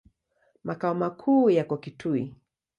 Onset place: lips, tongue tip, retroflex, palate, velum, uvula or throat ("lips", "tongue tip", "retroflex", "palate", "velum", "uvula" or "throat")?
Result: lips